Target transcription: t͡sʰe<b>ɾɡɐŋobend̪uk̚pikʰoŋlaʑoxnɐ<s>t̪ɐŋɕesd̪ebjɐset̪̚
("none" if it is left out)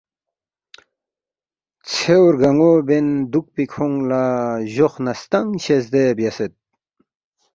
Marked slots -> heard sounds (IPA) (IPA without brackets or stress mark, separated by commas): w, s